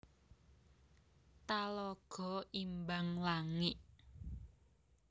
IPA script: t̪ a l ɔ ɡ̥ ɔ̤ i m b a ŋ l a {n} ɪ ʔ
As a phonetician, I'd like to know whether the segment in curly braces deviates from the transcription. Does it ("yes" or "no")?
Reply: yes